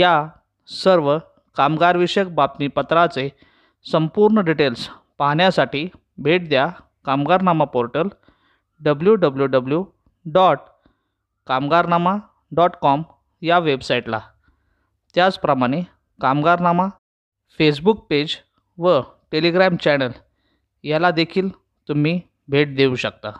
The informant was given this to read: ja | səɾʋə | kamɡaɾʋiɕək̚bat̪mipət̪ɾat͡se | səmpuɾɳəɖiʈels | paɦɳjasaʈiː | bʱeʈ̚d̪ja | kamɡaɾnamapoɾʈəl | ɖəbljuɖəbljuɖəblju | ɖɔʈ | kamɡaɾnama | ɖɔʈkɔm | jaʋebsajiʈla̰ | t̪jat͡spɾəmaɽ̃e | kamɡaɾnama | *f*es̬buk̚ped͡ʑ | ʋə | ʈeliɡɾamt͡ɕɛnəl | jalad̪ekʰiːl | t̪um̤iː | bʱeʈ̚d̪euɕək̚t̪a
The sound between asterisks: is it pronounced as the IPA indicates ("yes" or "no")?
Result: yes